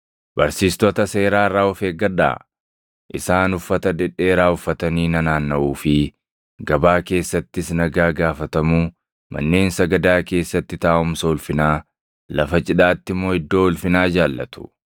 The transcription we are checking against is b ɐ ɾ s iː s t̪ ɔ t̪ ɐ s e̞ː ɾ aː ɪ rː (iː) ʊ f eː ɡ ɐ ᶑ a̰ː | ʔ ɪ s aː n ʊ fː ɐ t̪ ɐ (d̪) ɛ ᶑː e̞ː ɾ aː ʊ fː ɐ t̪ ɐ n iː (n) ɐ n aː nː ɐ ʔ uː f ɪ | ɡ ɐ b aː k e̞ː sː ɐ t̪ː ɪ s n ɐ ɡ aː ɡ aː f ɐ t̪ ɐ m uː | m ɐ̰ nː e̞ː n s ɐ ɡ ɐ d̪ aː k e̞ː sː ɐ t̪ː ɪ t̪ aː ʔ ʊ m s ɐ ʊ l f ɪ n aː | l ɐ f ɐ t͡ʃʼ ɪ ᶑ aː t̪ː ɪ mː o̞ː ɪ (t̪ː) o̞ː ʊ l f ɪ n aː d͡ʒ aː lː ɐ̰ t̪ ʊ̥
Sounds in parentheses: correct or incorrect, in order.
incorrect, correct, correct, incorrect

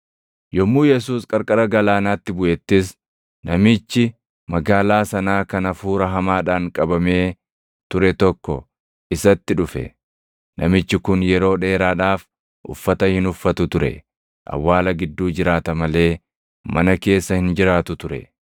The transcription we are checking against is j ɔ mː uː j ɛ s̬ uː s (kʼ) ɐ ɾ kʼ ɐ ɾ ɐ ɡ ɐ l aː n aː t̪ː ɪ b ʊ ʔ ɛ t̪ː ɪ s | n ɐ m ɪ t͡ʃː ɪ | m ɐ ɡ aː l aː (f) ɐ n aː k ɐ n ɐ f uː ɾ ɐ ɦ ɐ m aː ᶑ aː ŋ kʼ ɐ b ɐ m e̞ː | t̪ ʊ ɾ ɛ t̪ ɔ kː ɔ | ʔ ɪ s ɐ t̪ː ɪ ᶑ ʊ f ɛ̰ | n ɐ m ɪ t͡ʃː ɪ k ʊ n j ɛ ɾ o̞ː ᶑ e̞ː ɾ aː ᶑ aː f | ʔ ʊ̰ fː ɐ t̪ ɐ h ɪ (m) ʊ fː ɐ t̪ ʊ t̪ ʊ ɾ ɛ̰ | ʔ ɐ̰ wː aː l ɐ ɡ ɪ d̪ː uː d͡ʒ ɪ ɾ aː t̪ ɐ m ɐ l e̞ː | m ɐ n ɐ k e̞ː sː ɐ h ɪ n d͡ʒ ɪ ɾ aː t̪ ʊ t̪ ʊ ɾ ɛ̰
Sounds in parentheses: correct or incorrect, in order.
correct, incorrect, incorrect

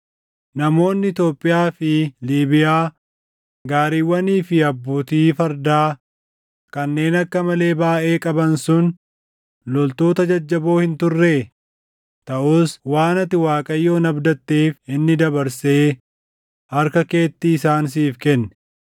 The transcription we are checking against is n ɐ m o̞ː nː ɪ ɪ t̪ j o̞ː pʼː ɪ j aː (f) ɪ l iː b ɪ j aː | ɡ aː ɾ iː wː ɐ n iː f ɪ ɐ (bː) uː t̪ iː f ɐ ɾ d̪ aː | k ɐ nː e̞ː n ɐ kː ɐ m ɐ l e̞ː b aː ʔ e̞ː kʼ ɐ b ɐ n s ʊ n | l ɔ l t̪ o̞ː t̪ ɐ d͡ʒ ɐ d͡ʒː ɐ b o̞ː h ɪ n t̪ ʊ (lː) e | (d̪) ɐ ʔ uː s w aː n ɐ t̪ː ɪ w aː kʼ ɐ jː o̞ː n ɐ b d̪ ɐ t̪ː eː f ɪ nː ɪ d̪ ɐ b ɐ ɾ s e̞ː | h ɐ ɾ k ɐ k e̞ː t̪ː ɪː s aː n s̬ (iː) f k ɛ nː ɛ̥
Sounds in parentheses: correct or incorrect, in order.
correct, correct, incorrect, incorrect, correct

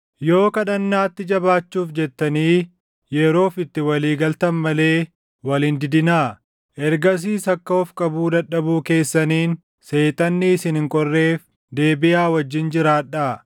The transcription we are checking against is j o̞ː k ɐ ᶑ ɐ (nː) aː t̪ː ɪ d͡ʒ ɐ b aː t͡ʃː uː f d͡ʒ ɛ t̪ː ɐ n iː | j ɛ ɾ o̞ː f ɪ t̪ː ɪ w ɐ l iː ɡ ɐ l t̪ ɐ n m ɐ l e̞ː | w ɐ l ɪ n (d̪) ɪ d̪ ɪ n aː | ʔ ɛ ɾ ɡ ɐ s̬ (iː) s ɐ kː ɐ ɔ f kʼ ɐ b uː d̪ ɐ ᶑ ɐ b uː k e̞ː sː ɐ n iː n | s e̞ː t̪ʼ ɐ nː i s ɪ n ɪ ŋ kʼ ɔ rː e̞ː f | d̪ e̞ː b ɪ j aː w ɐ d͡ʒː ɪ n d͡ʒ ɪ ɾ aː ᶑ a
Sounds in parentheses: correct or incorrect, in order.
correct, correct, correct

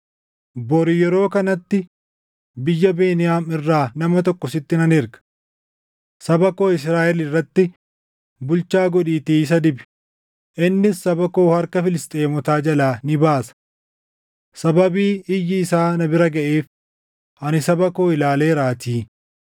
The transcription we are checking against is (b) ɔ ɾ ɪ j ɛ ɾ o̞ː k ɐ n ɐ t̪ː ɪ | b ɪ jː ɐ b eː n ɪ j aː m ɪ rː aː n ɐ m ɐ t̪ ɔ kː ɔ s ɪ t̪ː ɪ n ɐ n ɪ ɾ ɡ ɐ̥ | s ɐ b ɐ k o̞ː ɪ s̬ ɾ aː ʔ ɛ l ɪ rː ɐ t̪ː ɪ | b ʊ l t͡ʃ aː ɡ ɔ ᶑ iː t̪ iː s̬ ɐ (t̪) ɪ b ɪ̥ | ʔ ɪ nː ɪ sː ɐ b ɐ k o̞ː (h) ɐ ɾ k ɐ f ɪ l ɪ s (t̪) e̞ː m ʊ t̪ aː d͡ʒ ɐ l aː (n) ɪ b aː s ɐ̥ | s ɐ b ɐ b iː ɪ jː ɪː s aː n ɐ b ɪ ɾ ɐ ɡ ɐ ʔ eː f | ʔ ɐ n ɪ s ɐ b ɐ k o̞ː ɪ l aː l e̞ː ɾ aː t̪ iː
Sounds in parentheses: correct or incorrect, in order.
correct, incorrect, correct, incorrect, correct

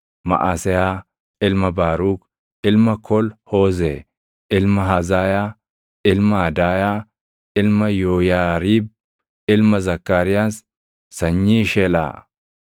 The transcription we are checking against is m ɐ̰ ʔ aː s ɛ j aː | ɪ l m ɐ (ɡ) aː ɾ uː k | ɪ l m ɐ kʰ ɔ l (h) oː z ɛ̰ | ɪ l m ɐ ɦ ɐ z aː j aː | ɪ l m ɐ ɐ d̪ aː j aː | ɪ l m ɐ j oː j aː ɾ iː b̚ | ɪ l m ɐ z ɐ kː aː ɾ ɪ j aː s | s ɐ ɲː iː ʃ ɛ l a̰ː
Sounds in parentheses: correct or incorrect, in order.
incorrect, correct

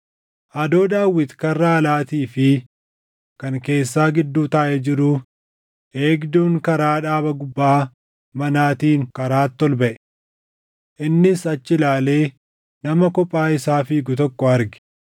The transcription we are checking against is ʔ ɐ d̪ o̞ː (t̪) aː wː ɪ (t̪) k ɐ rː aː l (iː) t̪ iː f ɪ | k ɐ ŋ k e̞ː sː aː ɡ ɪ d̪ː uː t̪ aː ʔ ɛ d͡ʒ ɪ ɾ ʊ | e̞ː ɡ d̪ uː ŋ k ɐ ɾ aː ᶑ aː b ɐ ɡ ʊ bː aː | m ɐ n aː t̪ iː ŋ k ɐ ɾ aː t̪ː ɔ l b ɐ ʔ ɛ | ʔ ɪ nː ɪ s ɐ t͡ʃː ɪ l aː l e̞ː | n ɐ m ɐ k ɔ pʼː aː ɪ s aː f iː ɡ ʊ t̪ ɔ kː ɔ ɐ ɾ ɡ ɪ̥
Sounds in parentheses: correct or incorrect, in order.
incorrect, correct, incorrect

